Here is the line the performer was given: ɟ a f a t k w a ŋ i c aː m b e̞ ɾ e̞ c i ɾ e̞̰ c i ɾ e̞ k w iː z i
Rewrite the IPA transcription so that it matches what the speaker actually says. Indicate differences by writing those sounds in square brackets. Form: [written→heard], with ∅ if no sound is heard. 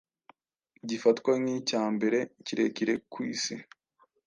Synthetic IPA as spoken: ɟ [a→i] f a t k w a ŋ i c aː m b e̞ ɾ e̞ c i ɾ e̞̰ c i ɾ e̞ k w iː [z→s] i